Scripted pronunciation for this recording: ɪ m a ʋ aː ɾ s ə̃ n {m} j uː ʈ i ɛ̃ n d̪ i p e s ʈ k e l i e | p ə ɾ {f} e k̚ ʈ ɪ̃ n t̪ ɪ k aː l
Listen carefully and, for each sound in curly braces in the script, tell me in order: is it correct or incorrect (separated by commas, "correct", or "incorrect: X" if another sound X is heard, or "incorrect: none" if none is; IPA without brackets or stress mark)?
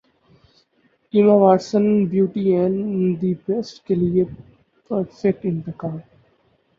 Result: incorrect: b, correct